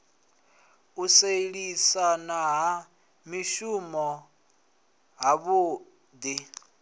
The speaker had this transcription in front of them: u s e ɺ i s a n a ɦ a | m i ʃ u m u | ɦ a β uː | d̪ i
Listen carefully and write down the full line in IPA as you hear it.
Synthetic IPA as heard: u s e ɺ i s a n a ɦ a | m i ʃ u m ɔ | ɦ a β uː | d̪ i